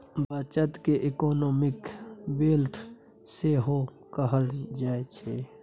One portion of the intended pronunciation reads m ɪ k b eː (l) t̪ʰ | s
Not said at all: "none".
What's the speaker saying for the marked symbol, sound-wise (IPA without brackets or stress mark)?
l